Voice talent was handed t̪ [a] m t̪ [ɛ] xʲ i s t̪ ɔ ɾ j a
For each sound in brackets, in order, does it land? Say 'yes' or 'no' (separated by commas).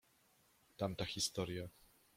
yes, no